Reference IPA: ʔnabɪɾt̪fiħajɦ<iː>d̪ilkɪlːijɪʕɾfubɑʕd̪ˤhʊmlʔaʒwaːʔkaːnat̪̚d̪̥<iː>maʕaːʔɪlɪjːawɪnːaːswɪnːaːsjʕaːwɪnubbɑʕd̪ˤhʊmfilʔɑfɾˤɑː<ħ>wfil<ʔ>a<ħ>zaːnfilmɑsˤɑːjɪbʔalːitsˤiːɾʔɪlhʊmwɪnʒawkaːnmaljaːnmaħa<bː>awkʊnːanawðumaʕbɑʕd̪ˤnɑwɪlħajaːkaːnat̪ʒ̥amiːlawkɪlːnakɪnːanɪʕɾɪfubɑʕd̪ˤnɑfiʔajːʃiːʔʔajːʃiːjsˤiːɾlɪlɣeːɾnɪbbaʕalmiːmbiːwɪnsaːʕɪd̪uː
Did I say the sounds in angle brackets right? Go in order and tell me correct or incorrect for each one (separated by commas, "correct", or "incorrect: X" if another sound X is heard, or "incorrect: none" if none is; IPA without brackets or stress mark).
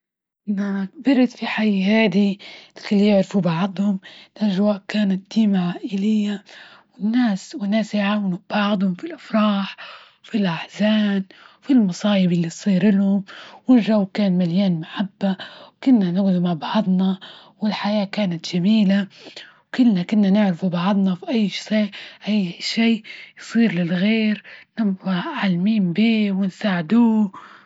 incorrect: aː, correct, correct, correct, correct, correct